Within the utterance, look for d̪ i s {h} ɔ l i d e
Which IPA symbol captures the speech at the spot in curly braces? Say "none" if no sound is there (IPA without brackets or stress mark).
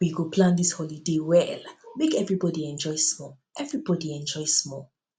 h